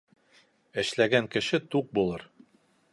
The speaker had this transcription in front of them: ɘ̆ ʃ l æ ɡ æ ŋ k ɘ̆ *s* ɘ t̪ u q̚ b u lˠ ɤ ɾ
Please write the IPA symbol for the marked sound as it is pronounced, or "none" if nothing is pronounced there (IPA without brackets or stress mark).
ʃ